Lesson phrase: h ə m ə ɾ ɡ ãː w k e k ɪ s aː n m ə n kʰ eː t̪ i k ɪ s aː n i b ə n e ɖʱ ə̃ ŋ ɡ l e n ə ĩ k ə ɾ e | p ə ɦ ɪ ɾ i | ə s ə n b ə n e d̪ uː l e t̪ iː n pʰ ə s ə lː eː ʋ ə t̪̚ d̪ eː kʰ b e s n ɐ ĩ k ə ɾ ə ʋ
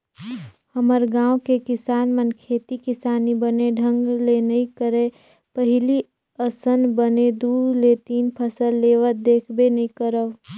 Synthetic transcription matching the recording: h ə m ə ɾ ɡ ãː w k e k ɪ s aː n m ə n kʰ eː t̪ i k ɪ s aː n i b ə n e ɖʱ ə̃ ŋ ɡ l e n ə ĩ k ə ɾ e | p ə ɦ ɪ l i | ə s ə n b ə n e d̪ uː l e t̪ iː n pʰ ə s ə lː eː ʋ ə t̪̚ d̪ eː kʰ b e n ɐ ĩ k ə ɾ ə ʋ